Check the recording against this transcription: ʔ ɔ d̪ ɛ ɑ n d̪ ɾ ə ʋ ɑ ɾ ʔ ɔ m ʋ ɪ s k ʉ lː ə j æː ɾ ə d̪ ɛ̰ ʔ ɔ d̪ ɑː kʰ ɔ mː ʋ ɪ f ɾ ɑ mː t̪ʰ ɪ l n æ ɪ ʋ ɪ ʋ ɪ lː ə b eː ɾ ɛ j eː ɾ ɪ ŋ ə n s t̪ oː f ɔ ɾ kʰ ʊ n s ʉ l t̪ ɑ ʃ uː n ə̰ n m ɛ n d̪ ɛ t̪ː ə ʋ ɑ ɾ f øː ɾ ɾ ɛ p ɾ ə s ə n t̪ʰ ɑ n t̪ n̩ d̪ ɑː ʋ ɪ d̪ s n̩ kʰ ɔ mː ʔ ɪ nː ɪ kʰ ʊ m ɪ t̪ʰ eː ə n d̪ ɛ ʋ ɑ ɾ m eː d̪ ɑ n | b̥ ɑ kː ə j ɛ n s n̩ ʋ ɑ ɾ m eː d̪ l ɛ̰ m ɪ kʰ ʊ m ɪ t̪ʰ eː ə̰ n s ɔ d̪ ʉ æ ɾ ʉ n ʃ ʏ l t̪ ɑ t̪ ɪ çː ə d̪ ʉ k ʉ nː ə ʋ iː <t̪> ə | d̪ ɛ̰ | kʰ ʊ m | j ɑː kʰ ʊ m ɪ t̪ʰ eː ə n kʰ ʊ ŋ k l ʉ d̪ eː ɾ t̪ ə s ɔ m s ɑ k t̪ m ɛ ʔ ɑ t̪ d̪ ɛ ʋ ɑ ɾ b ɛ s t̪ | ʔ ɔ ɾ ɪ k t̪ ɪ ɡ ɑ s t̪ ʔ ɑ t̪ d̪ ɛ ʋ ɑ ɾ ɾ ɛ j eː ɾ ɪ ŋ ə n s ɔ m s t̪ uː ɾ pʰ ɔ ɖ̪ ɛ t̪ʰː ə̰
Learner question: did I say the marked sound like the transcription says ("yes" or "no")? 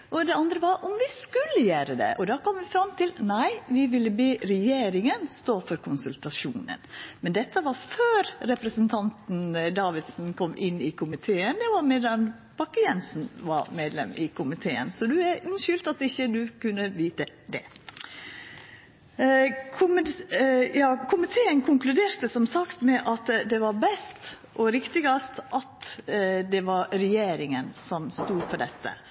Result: yes